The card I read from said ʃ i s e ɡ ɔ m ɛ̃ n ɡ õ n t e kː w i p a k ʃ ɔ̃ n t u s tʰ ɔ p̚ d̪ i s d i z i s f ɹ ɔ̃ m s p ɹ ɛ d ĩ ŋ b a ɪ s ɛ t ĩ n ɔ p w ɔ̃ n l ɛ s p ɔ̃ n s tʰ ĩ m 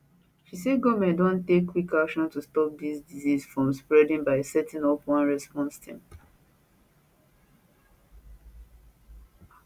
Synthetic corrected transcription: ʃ i s e ɡ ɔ m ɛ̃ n d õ n t e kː w i k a k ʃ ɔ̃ n t u s t ɔ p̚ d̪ i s d i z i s f ɹ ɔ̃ m s p ɹ ɛ d ĩ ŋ b a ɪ s ɛ t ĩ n ɔ p w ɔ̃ n ɹ ɛ s p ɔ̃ n s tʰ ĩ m